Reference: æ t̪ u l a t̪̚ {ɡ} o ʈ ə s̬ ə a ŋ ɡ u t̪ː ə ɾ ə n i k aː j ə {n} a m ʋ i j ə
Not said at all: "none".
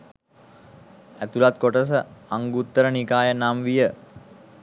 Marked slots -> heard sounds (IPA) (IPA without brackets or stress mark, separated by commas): k, n